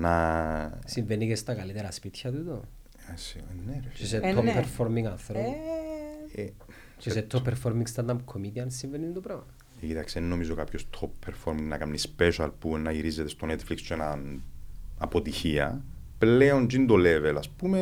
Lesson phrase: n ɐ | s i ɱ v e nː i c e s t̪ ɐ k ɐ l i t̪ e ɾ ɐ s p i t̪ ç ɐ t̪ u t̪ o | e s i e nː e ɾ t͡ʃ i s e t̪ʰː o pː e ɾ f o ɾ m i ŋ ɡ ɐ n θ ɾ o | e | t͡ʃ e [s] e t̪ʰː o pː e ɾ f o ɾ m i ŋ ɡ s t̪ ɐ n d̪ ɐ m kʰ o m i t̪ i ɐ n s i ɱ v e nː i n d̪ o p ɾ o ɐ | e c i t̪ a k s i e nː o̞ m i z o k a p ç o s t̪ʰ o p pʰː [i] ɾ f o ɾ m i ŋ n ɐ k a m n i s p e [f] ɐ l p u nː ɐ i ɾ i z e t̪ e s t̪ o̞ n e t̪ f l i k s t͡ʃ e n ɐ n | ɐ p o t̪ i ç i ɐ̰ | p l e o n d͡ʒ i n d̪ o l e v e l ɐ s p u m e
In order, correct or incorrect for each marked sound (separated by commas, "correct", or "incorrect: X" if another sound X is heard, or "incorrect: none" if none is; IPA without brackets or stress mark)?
correct, incorrect: e, incorrect: ʃ